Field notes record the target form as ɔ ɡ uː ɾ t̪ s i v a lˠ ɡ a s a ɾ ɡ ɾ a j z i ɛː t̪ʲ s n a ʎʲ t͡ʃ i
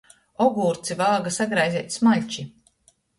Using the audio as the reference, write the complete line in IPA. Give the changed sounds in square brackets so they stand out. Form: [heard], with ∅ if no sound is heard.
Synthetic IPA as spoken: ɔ ɡ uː ɾ t̪ s i v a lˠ ɡ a s a [∅] ɡ ɾ a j z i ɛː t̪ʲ s [m] a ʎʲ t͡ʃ i